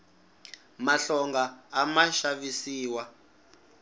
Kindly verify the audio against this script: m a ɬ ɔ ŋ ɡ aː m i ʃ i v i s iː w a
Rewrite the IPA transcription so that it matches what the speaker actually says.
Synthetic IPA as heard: m a ɬ ɔ ŋ ɡ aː m a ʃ a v i s iː w a